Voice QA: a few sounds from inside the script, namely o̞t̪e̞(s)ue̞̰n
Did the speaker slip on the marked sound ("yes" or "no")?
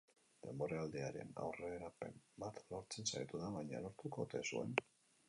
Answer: no